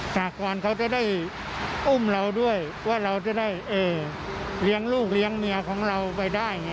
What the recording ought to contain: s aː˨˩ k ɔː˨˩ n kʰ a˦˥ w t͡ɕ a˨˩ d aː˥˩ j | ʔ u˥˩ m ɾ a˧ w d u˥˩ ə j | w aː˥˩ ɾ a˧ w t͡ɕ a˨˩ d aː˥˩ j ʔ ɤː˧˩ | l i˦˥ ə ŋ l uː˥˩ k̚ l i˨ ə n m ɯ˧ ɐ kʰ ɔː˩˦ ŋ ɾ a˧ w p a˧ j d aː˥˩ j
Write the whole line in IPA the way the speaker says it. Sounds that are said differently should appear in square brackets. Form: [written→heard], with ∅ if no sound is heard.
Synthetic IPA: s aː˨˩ k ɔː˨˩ n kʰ a˦˥ w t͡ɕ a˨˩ d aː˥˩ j | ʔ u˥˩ m ɾ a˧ w d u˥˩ ə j | w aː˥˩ ɾ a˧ w t͡ɕ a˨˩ d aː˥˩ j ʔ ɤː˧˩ | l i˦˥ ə ŋ l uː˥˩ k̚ l [i˨→i˦˥] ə [n→ŋ] m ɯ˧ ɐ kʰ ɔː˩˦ ŋ ɾ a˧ w p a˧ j d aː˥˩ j